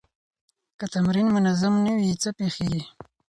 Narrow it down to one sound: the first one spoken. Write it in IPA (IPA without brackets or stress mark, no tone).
k